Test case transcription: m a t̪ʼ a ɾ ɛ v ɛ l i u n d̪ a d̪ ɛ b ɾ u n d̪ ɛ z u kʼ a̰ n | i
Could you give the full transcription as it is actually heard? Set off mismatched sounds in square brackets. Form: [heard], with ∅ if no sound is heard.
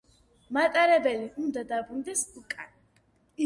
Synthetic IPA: m a t̪ʼ a ɾ ɛ [b] ɛ l i u n d̪ a d̪ [a] b ɾ u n d̪ ɛ [s] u kʼ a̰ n | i